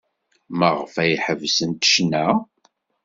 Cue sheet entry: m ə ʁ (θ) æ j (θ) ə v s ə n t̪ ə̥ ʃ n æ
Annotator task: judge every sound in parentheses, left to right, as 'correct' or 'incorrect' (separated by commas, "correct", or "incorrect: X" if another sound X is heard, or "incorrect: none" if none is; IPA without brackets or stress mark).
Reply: incorrect: f, incorrect: ħ